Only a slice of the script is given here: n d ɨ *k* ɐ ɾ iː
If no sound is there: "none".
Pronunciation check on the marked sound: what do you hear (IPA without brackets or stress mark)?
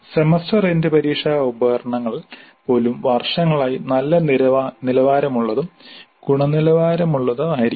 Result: p